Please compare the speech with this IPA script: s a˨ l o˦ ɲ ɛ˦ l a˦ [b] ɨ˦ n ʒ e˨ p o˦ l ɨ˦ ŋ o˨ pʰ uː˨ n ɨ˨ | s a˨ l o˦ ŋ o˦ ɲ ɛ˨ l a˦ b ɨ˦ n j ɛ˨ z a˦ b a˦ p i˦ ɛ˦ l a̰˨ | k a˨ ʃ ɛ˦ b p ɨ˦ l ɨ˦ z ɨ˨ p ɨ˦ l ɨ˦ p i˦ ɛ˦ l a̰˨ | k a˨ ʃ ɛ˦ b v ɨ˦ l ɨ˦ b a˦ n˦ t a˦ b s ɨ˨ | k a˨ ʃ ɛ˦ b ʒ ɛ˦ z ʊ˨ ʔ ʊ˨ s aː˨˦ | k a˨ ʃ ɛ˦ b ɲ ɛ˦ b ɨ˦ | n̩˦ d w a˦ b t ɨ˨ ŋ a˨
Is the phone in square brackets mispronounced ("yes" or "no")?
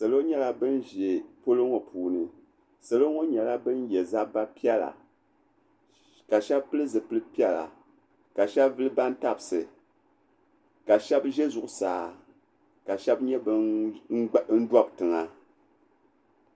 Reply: no